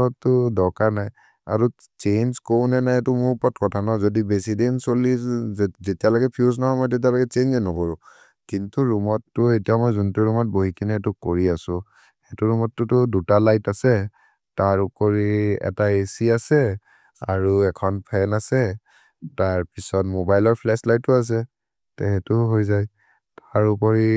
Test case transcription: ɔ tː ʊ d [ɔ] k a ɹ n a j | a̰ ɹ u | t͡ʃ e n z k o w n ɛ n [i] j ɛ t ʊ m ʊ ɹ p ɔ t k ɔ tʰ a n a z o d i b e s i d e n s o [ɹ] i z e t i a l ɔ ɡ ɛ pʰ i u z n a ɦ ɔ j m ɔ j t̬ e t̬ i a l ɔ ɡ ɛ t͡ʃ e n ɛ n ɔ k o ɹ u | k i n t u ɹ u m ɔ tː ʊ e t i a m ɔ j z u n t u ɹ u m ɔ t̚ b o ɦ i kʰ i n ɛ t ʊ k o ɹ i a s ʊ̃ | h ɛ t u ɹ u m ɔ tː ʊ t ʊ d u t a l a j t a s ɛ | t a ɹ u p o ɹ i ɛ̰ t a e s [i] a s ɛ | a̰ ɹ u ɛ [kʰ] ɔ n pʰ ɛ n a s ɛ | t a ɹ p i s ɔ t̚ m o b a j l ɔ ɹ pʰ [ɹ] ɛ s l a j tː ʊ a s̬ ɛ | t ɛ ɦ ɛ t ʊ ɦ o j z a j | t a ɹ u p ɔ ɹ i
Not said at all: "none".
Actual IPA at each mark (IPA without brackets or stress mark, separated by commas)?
ɔ, a, l, i, kʰ, l